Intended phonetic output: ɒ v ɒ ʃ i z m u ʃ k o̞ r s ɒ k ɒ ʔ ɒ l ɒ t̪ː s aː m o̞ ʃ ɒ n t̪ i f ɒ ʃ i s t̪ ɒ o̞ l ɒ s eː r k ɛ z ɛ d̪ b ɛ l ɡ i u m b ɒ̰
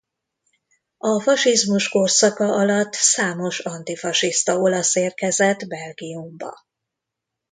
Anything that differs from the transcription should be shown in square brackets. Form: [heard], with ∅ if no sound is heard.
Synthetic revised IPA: ɒ [f] ɒ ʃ i z m u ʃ k o̞ r s ɒ k ɒ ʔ ɒ l ɒ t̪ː s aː m o̞ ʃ ɒ n t̪ i f ɒ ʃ i s t̪ ɒ o̞ l ɒ s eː r k ɛ z ɛ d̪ b ɛ l ɡ i u m b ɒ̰